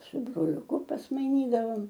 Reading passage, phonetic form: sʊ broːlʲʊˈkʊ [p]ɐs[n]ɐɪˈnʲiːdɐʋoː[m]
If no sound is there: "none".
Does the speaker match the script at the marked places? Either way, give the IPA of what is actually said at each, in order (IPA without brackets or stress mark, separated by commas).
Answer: p, m, m